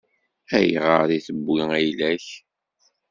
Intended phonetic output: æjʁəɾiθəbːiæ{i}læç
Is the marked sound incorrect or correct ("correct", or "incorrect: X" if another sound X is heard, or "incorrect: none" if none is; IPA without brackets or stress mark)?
incorrect: j